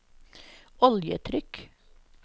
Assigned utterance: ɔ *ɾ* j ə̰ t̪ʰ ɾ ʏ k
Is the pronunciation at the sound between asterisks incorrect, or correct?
incorrect: l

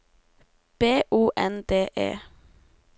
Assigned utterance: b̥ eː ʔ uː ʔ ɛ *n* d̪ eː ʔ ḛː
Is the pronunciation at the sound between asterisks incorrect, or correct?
correct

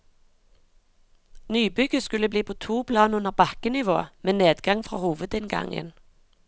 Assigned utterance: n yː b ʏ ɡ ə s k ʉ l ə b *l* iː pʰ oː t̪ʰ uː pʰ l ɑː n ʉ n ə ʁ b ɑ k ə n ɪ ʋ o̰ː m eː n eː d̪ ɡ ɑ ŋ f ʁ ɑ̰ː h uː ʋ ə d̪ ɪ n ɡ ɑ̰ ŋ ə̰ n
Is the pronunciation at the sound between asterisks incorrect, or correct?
correct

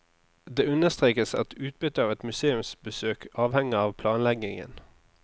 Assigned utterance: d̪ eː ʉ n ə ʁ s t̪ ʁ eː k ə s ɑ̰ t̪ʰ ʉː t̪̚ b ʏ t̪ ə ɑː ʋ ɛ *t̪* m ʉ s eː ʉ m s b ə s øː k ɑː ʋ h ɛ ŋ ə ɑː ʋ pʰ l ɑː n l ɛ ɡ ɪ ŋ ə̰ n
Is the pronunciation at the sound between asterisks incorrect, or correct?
correct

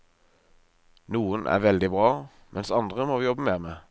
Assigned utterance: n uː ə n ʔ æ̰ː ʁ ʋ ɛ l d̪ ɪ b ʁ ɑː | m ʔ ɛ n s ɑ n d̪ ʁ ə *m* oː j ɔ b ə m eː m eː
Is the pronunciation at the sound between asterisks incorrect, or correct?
correct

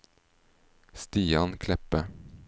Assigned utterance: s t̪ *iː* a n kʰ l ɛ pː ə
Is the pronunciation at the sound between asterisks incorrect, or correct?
correct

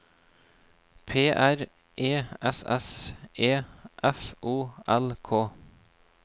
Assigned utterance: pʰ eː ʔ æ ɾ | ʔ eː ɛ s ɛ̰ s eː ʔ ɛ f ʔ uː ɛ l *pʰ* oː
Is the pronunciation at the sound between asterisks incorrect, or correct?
incorrect: kʰ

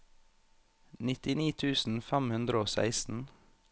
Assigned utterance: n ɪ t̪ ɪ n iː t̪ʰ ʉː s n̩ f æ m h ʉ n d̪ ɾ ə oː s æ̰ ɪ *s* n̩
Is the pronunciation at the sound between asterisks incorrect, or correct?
correct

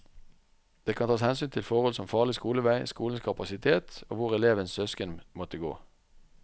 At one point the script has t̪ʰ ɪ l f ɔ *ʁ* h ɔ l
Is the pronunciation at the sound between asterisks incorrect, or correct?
correct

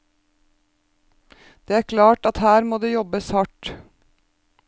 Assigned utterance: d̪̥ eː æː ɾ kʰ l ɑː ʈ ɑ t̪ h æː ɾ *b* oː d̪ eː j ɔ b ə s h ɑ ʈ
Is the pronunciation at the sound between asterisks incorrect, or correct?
incorrect: m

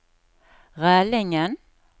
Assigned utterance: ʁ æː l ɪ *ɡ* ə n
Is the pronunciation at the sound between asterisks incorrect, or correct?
incorrect: ŋ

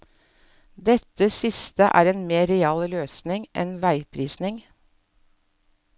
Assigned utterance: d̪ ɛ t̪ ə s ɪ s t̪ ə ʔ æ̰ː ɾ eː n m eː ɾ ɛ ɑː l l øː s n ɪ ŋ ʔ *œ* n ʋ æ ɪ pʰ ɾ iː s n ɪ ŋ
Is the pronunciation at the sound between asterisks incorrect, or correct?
incorrect: ɛ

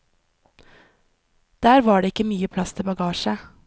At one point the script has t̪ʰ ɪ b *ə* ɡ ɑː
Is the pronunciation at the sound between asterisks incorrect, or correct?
incorrect: ɑ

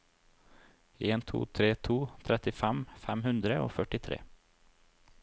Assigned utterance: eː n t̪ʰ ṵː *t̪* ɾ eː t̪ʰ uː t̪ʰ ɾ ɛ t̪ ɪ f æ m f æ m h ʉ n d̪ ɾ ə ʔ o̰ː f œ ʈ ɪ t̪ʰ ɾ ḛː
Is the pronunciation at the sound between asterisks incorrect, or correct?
incorrect: t̪ʰ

